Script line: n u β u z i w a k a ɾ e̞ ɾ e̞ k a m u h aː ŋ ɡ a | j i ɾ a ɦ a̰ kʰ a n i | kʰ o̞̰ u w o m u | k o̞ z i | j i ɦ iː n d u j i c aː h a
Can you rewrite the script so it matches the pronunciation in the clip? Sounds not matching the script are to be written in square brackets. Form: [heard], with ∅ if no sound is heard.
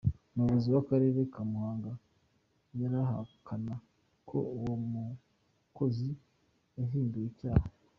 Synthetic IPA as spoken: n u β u z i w a k a ɾ e̞ ɾ e̞ k a m u h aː ŋ ɡ a | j [a] ɾ a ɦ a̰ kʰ a n [a] | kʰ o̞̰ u w o m u | k o̞ z i | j [a] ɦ iː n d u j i c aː h a